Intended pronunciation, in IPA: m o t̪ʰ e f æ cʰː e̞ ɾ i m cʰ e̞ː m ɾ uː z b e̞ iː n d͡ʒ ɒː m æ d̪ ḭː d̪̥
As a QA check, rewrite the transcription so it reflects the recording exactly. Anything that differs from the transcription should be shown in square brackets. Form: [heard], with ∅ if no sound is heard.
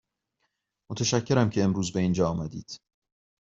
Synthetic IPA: m o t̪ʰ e [ʃ] æ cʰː e̞ ɾ [æ] m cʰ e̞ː m ɾ uː z b e̞ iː n d͡ʒ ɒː m æ d̪ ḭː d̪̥